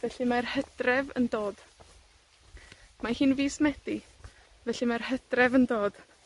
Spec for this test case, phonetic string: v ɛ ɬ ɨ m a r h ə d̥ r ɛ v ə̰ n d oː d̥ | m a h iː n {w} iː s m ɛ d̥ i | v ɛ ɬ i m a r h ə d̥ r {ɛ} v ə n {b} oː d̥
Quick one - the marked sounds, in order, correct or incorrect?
incorrect, correct, incorrect

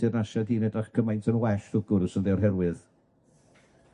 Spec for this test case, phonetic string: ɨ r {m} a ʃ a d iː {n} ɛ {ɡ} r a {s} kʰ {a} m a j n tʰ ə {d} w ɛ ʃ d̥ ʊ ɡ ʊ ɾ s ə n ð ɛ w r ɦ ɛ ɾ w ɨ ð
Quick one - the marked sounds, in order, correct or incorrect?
incorrect, correct, incorrect, incorrect, incorrect, incorrect

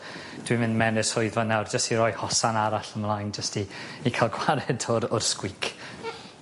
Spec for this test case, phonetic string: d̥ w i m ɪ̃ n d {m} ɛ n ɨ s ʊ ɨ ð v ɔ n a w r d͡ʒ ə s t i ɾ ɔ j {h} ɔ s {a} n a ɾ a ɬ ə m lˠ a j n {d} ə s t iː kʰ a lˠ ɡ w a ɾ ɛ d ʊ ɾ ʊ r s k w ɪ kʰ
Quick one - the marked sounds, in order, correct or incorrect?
correct, correct, correct, incorrect

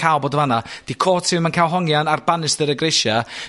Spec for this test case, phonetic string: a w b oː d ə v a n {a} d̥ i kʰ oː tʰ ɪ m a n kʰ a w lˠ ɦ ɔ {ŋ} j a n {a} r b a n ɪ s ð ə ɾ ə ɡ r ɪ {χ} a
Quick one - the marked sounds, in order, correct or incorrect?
correct, correct, correct, incorrect

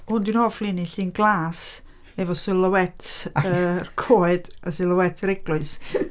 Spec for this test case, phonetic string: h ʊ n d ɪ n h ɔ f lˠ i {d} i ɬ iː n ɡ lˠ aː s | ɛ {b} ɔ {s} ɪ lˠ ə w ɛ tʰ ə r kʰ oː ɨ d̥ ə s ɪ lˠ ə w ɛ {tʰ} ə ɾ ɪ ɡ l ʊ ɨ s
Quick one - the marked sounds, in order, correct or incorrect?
incorrect, incorrect, correct, correct

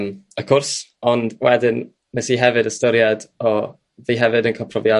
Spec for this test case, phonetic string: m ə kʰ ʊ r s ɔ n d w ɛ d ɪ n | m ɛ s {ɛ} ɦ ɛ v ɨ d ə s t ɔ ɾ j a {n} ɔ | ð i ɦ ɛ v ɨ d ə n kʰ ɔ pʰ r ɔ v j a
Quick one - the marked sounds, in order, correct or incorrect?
incorrect, incorrect

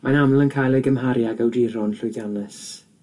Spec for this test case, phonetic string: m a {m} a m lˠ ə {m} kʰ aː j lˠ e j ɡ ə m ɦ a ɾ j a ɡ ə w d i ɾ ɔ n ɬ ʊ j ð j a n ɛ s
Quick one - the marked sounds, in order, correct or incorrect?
incorrect, incorrect

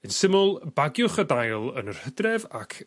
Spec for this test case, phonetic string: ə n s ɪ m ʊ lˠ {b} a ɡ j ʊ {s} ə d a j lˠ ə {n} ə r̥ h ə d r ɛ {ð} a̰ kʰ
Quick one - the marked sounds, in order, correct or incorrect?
correct, incorrect, correct, incorrect

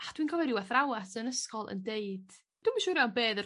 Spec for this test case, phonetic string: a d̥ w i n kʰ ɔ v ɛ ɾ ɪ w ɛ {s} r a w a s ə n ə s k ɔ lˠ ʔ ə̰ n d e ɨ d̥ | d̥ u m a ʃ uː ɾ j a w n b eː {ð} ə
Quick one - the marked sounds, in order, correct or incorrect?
incorrect, correct

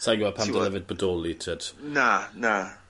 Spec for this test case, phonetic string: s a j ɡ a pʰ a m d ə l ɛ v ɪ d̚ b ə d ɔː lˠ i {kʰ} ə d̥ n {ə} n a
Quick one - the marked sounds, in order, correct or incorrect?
incorrect, incorrect

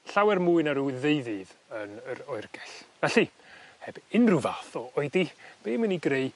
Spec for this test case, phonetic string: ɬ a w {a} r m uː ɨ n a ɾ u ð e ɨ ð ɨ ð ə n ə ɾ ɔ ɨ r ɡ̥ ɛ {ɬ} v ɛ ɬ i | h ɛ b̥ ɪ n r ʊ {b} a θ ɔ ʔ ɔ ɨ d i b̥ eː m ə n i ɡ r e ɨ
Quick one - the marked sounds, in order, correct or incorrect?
incorrect, correct, incorrect

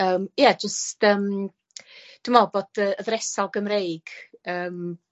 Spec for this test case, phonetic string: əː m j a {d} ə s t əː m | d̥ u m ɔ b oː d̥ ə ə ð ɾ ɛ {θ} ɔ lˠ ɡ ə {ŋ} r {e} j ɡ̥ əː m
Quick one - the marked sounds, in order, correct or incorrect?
incorrect, incorrect, incorrect, correct

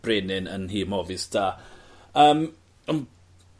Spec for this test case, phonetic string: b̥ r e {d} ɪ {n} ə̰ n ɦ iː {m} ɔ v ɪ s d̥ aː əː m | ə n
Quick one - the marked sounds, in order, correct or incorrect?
incorrect, correct, correct

